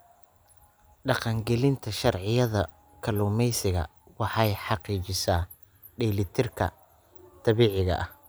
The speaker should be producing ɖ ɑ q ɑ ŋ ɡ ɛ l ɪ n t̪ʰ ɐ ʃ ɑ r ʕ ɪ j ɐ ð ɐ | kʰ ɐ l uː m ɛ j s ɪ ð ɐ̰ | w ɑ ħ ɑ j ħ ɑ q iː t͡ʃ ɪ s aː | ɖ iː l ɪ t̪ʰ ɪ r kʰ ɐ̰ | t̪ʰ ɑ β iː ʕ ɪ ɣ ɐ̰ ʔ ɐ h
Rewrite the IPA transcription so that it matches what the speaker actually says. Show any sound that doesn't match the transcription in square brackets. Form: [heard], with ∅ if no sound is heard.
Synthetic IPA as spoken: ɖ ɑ q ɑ ŋ ɡ ɛ l ɪ n t̪ʰ ɐ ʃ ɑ r ʕ ɪ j ɐ ð ɐ | kʰ ɐ l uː m ɛ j s ɪ [ɣ] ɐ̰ | w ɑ ħ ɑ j ħ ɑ q iː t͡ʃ ɪ s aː | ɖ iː l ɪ t̪ʰ ɪ r kʰ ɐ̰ | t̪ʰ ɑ β iː ʕ ɪ ɣ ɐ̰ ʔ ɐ h